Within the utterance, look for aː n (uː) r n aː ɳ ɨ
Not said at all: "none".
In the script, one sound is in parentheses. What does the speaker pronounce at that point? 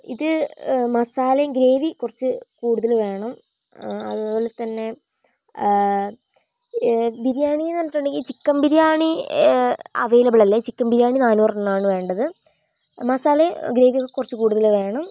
uː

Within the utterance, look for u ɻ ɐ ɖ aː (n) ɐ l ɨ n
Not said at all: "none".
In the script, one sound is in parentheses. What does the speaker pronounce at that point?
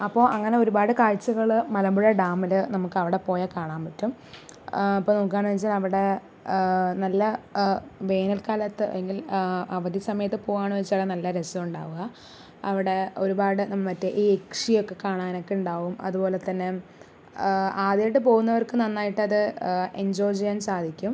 m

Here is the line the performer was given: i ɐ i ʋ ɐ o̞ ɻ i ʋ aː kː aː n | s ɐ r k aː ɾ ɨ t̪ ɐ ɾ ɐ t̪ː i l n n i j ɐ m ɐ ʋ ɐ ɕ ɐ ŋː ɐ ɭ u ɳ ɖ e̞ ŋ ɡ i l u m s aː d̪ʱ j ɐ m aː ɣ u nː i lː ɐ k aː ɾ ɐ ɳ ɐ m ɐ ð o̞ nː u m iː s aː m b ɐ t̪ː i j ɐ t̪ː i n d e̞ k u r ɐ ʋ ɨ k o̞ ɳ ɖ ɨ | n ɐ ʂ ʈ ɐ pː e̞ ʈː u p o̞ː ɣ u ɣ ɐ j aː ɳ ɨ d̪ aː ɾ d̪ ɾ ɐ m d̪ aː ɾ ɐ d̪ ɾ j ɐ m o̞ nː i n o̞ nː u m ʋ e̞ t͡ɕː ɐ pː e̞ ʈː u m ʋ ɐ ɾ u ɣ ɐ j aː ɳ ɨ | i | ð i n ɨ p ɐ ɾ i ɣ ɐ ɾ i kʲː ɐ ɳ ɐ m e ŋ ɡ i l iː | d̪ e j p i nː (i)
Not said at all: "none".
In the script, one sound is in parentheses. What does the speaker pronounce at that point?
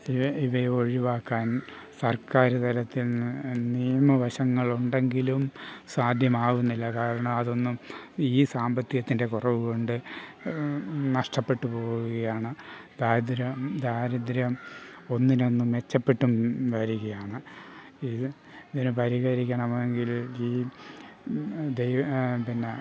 e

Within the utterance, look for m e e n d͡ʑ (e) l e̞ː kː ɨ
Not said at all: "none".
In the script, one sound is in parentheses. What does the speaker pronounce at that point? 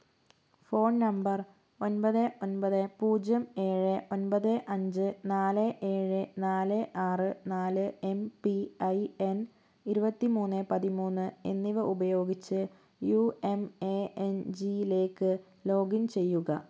i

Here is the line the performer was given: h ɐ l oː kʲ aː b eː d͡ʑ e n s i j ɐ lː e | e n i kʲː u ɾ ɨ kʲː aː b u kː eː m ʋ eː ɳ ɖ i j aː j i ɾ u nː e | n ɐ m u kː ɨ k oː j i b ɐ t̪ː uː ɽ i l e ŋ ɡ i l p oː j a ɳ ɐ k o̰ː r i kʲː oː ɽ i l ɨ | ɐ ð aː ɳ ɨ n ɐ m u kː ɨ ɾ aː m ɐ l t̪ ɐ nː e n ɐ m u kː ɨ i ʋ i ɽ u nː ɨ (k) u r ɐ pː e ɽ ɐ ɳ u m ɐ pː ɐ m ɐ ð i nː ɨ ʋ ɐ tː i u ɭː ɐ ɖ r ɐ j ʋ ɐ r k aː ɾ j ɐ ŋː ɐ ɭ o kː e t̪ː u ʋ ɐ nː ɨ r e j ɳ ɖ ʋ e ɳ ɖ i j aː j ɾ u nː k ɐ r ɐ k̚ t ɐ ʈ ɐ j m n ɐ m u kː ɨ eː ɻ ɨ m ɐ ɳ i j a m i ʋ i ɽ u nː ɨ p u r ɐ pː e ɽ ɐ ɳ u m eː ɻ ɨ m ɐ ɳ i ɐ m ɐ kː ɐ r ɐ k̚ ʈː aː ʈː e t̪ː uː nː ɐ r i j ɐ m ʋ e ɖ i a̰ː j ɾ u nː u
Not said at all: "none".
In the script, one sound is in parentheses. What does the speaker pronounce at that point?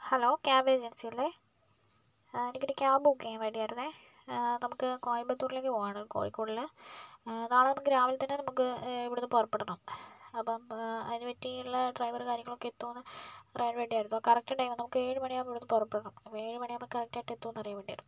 p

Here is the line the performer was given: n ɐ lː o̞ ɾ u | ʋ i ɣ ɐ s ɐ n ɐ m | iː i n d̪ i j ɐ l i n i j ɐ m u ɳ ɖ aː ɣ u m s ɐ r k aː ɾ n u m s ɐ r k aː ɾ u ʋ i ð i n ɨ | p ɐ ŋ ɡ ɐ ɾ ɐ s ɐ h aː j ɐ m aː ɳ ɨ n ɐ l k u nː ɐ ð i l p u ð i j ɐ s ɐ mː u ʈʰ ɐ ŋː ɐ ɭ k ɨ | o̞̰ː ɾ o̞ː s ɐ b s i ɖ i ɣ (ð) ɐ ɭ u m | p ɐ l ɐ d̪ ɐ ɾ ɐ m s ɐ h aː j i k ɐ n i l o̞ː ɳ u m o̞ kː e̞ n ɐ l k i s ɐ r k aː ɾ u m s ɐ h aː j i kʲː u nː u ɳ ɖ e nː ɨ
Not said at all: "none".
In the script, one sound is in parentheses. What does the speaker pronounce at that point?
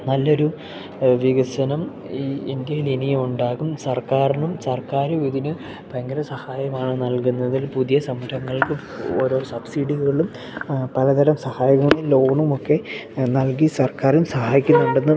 ɣ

